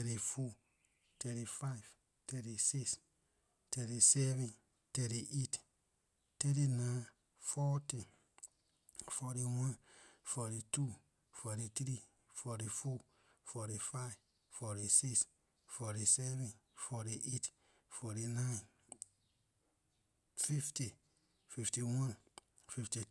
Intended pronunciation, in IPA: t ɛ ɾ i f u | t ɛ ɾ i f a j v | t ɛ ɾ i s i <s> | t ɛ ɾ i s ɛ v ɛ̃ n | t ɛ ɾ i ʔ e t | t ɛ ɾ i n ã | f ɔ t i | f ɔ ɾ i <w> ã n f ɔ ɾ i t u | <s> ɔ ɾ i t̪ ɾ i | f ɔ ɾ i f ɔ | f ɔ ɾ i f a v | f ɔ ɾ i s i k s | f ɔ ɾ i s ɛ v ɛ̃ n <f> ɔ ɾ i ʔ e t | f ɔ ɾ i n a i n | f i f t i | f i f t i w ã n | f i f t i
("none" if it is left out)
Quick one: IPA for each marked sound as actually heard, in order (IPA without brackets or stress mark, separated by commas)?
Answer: s, w, f, f